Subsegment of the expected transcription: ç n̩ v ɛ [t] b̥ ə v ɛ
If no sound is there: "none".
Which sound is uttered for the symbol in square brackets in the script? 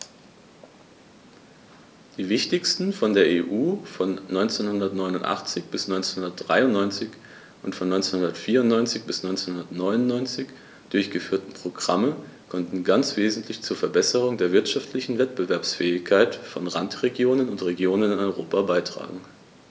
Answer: t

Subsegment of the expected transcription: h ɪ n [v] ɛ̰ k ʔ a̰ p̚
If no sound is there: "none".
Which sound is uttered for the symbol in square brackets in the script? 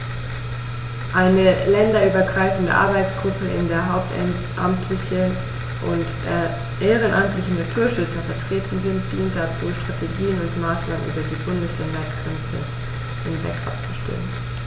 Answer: v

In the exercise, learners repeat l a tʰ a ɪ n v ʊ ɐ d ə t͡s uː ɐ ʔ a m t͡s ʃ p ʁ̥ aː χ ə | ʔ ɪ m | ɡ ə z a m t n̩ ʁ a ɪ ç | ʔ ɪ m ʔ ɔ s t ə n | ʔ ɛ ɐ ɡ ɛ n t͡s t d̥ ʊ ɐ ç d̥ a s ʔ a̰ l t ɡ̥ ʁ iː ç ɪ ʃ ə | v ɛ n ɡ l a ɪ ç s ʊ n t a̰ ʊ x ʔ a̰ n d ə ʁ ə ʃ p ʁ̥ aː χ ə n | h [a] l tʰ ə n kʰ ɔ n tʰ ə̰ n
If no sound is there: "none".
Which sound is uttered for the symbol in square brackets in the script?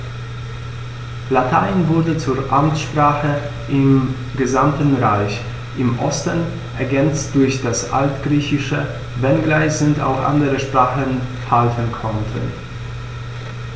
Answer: a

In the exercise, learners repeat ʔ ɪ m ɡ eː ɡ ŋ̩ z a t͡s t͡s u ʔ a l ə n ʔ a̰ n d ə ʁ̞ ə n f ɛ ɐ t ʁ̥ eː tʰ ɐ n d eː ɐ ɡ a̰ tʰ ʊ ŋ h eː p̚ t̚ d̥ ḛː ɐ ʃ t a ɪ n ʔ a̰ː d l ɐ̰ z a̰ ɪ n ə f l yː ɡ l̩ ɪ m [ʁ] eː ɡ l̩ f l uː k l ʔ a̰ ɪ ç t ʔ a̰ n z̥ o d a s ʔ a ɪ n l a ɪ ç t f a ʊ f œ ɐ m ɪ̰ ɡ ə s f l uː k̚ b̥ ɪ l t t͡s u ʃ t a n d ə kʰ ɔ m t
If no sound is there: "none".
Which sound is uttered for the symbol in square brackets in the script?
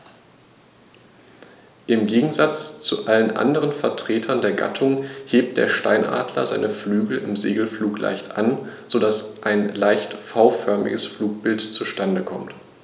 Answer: z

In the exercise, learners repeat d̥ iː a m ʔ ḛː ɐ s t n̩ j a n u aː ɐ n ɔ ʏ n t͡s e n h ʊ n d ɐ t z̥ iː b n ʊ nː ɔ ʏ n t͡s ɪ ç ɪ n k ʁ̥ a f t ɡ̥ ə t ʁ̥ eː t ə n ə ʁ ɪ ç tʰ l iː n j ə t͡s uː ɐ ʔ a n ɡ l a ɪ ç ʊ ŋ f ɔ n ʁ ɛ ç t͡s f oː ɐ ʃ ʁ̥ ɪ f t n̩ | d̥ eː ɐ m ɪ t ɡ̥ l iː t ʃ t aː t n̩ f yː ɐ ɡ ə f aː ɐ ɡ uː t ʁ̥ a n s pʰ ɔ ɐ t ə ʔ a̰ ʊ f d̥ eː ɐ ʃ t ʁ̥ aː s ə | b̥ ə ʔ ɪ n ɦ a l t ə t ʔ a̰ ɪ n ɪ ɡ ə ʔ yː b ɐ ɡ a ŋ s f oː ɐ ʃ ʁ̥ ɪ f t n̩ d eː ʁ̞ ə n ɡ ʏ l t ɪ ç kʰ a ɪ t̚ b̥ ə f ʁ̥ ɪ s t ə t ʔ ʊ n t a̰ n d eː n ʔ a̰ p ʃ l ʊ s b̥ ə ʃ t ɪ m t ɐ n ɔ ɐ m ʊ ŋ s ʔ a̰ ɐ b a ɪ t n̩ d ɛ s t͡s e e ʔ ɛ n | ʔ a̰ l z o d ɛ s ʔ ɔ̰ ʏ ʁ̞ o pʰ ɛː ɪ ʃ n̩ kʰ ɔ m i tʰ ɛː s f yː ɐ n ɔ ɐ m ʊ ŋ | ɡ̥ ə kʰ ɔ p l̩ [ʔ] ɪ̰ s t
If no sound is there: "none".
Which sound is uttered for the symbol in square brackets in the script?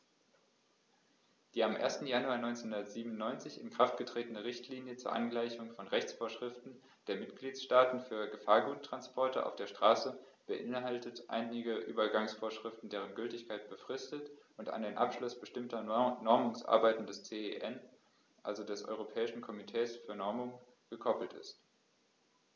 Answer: t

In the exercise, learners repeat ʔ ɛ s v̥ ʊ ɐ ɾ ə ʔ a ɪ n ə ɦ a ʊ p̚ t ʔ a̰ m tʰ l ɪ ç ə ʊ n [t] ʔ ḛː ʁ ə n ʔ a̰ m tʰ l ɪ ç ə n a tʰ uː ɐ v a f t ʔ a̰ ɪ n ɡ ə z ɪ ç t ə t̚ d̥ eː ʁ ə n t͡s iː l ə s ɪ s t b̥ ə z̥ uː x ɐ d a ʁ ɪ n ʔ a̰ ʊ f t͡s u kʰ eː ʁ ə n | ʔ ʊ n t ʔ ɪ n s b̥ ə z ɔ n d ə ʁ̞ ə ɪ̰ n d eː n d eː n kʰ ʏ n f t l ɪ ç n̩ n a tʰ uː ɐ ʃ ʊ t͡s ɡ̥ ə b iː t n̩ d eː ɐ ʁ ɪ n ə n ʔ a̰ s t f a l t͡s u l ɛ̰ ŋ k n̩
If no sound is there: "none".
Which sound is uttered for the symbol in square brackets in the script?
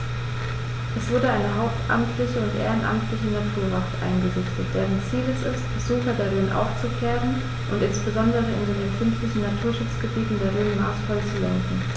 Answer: t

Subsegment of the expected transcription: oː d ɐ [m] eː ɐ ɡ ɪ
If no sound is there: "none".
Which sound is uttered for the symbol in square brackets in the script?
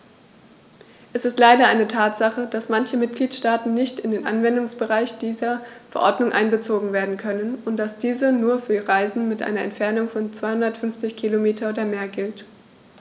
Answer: m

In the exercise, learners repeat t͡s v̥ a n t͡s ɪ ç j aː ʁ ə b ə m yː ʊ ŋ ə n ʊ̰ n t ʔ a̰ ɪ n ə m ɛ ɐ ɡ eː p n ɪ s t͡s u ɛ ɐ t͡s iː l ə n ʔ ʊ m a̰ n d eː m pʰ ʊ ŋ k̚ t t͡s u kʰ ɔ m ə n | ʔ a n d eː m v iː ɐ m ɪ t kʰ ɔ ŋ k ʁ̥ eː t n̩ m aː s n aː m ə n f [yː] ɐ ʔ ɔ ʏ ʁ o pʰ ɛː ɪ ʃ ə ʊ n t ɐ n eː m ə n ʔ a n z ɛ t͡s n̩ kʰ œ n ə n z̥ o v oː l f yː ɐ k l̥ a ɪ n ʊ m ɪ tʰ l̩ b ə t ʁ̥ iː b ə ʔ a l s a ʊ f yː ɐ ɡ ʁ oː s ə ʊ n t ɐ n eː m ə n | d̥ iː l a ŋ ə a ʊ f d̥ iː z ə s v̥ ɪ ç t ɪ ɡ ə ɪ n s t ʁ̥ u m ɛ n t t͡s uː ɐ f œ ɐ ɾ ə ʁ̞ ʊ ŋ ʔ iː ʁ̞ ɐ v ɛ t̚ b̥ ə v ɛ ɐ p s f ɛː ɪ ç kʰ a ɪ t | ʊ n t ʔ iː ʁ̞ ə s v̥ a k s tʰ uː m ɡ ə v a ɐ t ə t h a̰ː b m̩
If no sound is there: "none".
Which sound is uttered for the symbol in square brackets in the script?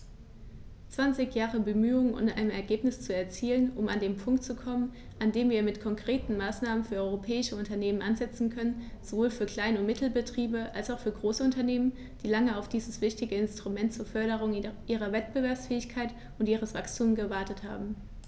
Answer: yː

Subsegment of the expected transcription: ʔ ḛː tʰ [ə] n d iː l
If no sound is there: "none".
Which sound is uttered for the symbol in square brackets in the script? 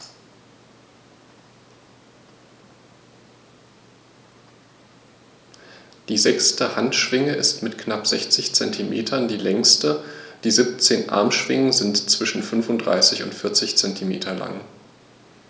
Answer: ɐ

